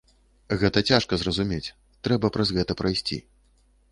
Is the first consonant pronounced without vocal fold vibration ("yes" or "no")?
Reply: no